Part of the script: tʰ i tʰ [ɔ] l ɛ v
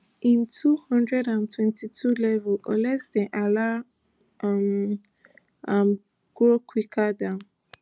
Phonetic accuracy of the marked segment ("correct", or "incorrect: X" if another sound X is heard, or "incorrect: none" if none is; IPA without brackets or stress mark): incorrect: u